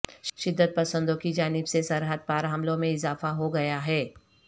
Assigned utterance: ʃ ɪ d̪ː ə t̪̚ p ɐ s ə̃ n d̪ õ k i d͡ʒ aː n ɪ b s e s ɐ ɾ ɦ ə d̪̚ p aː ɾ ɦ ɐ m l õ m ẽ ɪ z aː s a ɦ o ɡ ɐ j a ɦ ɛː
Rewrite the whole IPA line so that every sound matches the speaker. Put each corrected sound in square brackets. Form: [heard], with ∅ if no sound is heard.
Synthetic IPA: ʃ ɪ d̪ː ə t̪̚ p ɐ s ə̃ n d̪ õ k i d͡ʒ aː n ɪ b s e s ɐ ɾ ɦ ə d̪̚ p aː ɾ ɦ ɐ m l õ m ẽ ɪ z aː [f] a ɦ o ɡ ɐ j a ɦ ɛː